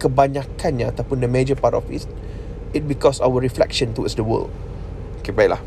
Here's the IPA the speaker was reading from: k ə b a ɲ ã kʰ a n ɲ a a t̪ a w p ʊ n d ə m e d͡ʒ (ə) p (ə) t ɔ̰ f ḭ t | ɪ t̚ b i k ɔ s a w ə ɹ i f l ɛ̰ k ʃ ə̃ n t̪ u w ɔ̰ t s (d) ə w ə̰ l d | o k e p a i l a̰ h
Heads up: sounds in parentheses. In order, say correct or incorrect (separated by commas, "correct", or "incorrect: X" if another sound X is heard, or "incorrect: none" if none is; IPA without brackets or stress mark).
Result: correct, incorrect: a, correct